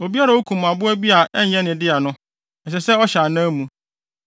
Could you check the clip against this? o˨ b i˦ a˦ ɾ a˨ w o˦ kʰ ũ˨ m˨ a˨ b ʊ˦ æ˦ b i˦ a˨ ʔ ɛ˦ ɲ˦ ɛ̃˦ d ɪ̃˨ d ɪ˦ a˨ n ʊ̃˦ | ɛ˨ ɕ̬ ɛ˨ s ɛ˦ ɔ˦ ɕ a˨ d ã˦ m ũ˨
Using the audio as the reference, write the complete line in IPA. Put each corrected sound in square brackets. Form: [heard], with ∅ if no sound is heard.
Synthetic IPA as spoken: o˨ b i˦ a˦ ɾ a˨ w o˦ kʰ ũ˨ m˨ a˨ b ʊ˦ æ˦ b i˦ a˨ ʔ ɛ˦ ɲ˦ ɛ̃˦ [n] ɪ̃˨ d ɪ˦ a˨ n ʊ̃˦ | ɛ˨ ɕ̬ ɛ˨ s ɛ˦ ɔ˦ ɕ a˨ [n] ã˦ m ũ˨